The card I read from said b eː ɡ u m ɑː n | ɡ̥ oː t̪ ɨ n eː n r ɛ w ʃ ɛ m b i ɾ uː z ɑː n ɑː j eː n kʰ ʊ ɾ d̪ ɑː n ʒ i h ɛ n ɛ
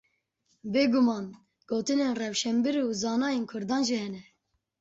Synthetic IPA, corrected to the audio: b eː ɡ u m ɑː n | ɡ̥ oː t̪ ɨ n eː n r ɛ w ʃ ɛ m b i ɾ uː z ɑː n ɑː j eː n kʰ ʊ ɾ d̪ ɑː n ʒ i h ɛ n ɛ